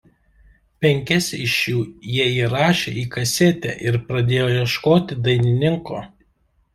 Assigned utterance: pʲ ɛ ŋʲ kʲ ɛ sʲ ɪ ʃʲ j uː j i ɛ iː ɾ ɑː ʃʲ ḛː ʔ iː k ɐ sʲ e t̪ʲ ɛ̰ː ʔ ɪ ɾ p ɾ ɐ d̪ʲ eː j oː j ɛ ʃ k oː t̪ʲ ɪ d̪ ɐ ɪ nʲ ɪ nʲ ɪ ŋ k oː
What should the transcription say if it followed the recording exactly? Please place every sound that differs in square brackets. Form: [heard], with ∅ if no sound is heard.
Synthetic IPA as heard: pʲ ɛ ŋʲ kʲ ɛ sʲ ɪ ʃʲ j uː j i ɛ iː ɾ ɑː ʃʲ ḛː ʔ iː k ɐ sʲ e t̪ʲ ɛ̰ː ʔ ɪ ɾ p ɾ ɐ d̪ʲ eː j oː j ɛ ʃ k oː t̪ʲ ɪ d̪ ɐ ɪ nʲ ɪ nʲ ɪ ŋ k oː